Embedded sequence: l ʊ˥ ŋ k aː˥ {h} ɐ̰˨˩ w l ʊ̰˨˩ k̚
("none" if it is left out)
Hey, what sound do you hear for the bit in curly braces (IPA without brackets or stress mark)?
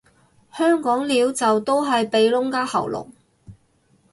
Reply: h